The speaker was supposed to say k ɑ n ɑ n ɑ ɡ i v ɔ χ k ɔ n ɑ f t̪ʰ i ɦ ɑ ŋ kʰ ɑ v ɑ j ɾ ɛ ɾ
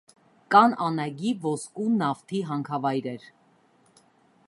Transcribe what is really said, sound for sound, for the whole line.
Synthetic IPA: k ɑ n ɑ n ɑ ɡ i v ɔ s k u n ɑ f t̪ʰ i ɦ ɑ ŋ kʰ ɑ v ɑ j ɾ ɛ ɾ